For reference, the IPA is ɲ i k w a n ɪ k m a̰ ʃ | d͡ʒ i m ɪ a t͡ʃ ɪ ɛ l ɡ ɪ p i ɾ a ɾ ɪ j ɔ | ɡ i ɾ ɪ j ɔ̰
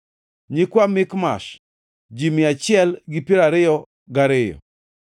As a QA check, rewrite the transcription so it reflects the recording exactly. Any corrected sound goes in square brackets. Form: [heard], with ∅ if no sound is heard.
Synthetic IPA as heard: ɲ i k w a [m] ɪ k m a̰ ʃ | d͡ʒ i m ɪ a t͡ʃ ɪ ɛ l ɡ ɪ p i ɾ a ɾ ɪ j ɔ | ɡ [a] ɾ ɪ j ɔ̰